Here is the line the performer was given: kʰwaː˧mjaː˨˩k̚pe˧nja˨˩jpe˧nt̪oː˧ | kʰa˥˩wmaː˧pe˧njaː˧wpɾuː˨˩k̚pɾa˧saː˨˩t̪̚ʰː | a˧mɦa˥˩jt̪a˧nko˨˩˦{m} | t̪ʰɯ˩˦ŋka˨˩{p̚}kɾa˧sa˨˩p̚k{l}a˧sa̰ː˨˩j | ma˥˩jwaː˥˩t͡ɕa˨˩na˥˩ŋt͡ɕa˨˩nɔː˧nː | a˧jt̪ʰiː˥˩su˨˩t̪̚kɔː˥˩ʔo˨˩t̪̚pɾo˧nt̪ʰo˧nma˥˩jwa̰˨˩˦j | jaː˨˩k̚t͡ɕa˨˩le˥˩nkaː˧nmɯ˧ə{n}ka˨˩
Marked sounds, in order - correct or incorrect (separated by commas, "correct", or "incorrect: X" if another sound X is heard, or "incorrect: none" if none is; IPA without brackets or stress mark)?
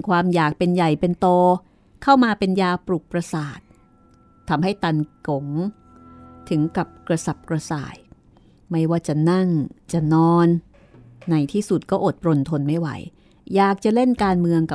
incorrect: ŋ, correct, incorrect: ɾ, incorrect: ŋ